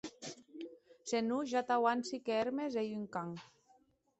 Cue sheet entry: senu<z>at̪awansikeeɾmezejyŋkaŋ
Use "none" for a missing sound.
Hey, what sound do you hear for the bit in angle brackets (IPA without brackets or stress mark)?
ʒ